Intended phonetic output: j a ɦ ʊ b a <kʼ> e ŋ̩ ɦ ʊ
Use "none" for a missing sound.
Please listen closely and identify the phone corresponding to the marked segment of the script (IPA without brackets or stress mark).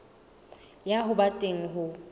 tʼ